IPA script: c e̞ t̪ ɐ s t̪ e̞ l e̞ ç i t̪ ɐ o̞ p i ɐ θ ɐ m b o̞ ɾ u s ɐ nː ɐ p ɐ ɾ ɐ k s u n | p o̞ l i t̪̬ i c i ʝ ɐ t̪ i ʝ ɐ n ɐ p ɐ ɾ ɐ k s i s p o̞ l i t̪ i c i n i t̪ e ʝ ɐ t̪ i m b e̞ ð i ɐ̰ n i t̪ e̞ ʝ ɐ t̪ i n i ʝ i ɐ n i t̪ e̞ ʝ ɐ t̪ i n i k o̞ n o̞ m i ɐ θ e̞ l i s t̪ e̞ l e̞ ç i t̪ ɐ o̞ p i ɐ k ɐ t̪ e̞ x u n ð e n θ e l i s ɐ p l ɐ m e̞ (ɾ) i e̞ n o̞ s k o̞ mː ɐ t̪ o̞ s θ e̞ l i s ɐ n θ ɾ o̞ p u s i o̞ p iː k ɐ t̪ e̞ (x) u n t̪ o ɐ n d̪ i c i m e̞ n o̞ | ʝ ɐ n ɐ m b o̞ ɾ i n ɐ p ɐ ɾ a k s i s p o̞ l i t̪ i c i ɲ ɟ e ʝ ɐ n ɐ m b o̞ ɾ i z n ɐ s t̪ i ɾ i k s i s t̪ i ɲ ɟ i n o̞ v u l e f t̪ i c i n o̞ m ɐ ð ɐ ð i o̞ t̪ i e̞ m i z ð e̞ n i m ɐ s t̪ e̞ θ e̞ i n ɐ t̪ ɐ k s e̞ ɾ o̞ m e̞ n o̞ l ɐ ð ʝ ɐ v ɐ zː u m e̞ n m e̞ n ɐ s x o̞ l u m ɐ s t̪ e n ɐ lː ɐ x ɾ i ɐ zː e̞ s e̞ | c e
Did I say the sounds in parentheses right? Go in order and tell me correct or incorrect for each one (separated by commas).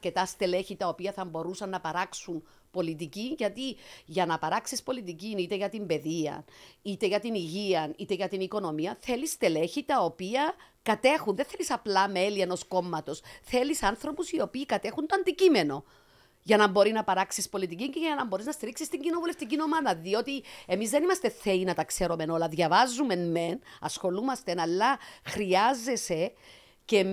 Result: incorrect, correct